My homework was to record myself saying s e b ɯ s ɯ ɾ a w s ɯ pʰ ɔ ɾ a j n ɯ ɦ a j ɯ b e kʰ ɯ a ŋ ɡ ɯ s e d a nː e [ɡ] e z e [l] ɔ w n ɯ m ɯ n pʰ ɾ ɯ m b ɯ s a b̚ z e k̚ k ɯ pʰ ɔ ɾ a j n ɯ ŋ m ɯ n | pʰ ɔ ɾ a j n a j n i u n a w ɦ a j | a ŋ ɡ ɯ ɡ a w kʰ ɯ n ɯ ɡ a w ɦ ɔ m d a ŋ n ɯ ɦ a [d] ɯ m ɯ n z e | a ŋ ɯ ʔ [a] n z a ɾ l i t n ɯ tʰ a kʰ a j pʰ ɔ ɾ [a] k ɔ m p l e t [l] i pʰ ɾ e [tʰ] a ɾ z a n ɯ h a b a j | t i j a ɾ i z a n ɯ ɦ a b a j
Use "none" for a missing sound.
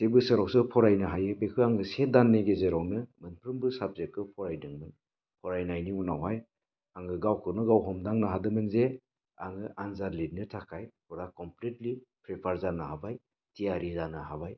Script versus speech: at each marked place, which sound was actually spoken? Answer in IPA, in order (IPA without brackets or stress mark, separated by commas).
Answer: ɡ, ɾ, d, a, a, l, pʰ